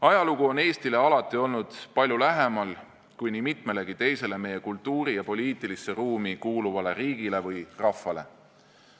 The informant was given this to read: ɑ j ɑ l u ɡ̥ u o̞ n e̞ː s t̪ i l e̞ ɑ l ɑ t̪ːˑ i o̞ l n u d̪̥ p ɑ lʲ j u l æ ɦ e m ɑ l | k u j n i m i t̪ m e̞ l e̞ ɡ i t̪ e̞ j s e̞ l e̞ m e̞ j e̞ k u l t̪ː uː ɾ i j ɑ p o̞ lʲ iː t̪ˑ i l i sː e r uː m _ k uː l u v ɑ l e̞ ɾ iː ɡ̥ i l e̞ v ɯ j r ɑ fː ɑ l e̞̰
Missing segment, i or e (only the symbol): i